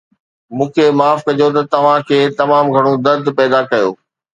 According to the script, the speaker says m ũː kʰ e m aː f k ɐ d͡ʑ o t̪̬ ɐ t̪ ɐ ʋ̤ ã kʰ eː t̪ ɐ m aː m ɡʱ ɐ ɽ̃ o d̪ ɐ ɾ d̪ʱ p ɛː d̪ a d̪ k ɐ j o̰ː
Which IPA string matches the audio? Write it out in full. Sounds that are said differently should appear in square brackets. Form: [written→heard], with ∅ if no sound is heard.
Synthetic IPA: m ũː kʰ e m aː f k ɐ d͡ʑ o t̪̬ ɐ t̪ ɐ ʋ̤ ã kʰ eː t̪ ɐ m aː m ɡʱ ɐ ɽ̃ o d̪ ɐ ɾ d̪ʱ p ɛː d̪ a [d̪→∅] k ɐ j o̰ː